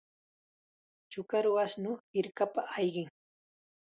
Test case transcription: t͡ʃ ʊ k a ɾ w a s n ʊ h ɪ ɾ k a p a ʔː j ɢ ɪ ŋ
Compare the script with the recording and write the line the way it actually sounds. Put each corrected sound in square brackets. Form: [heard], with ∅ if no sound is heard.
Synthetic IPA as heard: t͡ʃ ʊ k a ɾ w a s n ʊ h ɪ ɾ k a p a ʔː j ɢ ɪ ŋ